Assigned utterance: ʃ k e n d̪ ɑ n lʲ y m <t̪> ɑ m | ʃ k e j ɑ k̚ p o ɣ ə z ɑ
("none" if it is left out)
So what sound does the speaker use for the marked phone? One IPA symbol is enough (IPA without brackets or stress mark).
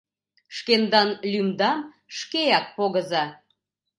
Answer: d̪